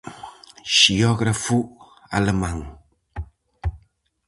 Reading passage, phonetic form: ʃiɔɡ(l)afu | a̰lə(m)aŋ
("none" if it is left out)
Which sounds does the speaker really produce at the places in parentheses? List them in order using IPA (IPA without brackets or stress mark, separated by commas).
ɾ, m